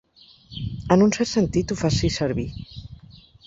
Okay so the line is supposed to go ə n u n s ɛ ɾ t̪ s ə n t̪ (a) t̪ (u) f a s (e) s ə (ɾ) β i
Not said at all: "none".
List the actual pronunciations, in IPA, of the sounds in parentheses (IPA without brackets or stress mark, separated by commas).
i, u, i, ɾ